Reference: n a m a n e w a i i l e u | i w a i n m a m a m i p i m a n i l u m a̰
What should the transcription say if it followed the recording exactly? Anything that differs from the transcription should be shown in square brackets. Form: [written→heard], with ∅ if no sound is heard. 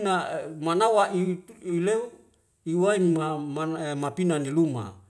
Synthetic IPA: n a m a n [e→a] w a i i l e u | i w a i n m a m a m [i→a] p i [m→n] a n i l u m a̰